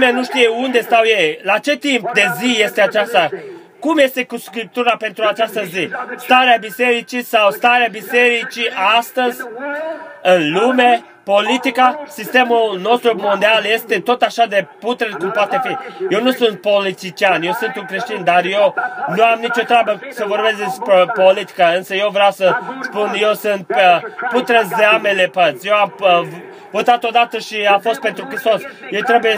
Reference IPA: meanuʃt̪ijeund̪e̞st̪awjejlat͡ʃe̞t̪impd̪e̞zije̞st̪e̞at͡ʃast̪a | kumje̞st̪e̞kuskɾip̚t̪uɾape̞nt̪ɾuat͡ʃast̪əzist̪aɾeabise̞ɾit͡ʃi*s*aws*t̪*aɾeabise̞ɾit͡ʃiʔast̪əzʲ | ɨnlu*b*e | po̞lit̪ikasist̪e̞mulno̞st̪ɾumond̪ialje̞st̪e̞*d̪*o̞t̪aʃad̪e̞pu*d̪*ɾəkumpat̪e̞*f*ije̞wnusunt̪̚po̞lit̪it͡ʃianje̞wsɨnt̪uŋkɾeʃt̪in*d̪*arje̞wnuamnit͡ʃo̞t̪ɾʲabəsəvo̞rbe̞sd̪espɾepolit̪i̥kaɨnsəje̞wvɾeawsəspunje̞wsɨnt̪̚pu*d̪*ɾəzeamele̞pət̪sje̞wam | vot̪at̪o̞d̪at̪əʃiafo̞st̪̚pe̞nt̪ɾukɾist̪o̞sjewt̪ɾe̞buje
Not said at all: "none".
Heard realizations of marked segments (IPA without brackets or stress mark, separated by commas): s, t̪, m, t̪, t̪, f, d̪, t̪